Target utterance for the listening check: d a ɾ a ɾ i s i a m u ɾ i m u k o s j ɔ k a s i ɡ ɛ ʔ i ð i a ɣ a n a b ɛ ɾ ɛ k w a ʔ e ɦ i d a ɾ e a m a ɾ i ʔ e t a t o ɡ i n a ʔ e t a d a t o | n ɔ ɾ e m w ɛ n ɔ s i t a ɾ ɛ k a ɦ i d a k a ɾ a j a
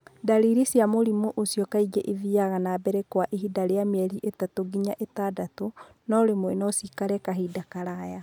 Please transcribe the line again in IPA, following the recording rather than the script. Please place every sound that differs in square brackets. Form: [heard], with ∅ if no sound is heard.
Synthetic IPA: d a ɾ [i] ɾ i s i a m [o] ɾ i m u [ʔ] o s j ɔ k a [∅] i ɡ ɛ ʔ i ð i a ɣ a n a b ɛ ɾ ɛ k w a ʔ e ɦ i d a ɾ e a m [ɛ] ɾ i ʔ e t a t o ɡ i [ɲ] a ʔ e t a d a t o | n ɔ ɾ e m w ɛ n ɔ s i [k] a ɾ ɛ k a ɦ i d a k a ɾ a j a

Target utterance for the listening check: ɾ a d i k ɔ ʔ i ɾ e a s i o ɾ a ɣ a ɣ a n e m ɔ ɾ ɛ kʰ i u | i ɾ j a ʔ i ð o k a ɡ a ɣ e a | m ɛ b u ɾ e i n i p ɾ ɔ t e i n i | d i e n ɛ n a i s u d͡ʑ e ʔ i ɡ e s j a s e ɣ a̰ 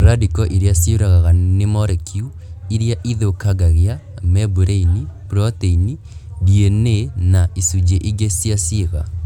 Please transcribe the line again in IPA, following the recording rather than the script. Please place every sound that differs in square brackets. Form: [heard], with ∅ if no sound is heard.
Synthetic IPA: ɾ a d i k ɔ ʔ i ɾ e a s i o ɾ a ɣ a ɣ a n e m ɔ ɾ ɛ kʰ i u | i ɾ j a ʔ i ð o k a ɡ a ɣ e a | m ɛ b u ɾ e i n i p ɾ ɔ t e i n i | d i e n [e] n a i s u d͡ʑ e ʔ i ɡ e s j a s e ɣ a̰

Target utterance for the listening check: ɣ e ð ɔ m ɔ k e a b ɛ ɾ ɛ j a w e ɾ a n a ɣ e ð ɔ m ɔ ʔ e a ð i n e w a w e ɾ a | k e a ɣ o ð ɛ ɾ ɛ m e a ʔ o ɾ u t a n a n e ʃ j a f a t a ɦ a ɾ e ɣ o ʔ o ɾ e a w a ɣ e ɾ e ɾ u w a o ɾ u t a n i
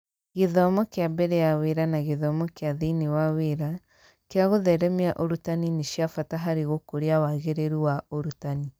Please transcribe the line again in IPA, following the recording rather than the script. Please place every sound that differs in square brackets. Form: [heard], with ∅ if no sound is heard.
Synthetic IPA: ɣ e ð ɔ m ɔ k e a b ɛ ɾ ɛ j a w e ɾ a n a ɣ e ð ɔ m ɔ [k] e a ð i n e w a w e ɾ a | k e a ɣ o ð ɛ ɾ ɛ m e a ʔ o ɾ u t a n [i] n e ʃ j a f a t a ɦ a ɾ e ɣ o [k] o ɾ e a w a ɣ e ɾ e ɾ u w a o ɾ u t a n i

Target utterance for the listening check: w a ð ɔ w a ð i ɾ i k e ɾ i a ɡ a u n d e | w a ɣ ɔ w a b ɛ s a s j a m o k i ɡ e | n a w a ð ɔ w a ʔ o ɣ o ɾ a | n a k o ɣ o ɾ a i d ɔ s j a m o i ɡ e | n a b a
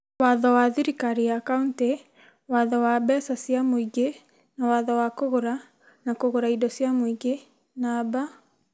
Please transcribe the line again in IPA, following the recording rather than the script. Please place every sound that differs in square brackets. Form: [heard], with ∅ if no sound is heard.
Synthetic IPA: w a ð ɔ w a ð i ɾ i k [a] ɾ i a [k] a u n [t] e | w a [ð] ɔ w a b ɛ s a s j a m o [∅] i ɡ e | n a w a ð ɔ w a [k] o ɣ o ɾ a | n a k o ɣ o ɾ a i d ɔ s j a m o i ɡ e | n a b a

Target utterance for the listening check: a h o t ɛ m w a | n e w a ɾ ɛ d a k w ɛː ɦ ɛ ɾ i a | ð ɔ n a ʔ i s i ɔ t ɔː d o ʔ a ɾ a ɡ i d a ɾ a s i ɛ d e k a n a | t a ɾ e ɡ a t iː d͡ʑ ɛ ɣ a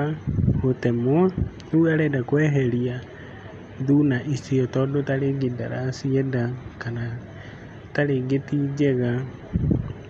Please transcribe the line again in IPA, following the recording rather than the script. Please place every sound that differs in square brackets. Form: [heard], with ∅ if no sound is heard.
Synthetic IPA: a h o t ɛ m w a | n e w a ɾ ɛ d a k w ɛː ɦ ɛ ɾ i a | ð [u] n a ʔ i s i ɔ t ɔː d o [t] a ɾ [e] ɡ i d a ɾ a s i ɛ d [a] k a n a | t a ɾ e ɡ [e] t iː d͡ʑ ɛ ɣ a

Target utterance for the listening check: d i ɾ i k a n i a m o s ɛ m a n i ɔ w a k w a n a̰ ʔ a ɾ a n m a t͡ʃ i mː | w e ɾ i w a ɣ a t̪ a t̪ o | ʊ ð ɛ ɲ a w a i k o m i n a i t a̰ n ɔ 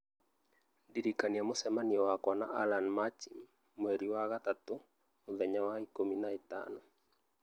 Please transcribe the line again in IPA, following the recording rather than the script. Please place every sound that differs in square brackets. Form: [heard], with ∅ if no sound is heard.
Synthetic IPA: d i ɾ i k a n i a m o s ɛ m a n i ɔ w a k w a n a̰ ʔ a [l] a n m a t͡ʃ i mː | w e ɾ i w a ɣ a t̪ a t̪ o | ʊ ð ɛ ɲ a w a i k o m i n a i t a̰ n ɔ

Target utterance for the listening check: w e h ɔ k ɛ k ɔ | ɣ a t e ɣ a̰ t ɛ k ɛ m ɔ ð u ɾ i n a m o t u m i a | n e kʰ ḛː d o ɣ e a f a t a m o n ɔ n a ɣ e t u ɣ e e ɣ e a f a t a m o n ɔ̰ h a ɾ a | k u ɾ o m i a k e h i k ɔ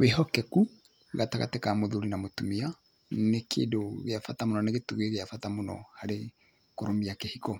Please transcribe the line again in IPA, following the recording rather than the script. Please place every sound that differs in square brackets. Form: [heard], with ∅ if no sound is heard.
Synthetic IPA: w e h ɔ k ɛ k [u] | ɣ a t [a] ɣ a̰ t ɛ k [a] m [o] ð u ɾ i n a m o t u m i a | n e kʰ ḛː d o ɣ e a f a t a m o n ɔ n [e] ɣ e t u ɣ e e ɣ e a f a t a m o n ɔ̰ h a ɾ [e] | k [o] ɾ o m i a k e h i k ɔ

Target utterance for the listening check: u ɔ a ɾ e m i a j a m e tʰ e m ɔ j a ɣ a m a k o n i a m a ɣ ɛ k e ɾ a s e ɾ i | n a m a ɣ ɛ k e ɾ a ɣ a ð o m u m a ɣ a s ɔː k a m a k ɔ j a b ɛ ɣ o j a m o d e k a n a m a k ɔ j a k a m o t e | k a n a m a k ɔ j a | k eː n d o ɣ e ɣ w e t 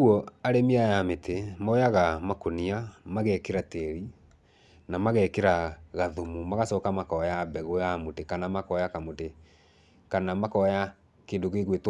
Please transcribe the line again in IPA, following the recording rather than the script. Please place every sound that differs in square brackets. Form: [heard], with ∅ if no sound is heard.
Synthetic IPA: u ɔ a ɾ e m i a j a m e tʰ e m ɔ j a ɣ a m a k o n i a m a ɣ ɛ k e ɾ a [t] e ɾ i | n a m a ɣ ɛ k e ɾ a ɣ a ð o m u m a ɣ a s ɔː k a m a k ɔ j a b ɛ ɣ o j a m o [t] e k a n a m a k ɔ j a k a m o t e | k a n a m a k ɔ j a | k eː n d o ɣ e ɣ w e t

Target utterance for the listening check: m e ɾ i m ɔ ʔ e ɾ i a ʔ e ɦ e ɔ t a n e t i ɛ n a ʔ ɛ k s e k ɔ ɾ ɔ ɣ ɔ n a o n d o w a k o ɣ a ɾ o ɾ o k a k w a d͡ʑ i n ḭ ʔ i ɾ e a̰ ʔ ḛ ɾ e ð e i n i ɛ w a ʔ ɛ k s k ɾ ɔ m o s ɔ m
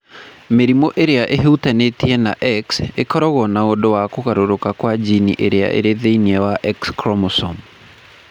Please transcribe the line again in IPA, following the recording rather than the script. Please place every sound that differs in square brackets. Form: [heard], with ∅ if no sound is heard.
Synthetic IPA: m e ɾ i m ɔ ʔ e ɾ [e] a ʔ e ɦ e [u] t a n e t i ɛ n a ʔ ɛ k s e k ɔ ɾ ɔ ɣ ɔ n a o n d o w a k o ɣ a ɾ o ɾ o k a k w a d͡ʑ i n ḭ ʔ [e] ɾ e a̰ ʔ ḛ ɾ e ð e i n i ɛ w a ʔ ɛ k s k ɾ ɔ m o s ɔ m

